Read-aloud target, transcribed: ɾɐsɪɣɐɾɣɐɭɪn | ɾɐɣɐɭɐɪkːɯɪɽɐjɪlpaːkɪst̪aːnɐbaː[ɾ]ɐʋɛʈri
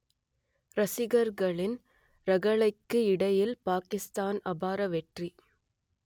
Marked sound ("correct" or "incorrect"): correct